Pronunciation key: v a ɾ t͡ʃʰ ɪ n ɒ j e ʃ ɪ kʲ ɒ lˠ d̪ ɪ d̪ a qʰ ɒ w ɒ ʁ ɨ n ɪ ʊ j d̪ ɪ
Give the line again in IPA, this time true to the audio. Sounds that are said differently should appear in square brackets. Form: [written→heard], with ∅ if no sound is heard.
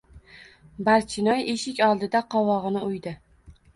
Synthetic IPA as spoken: [v→b] a ɾ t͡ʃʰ ɪ n ɒ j e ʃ ɪ kʲ ɒ lˠ d̪ ɪ d̪ a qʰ ɒ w ɒ ʁ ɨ n ɪ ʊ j d̪ ɪ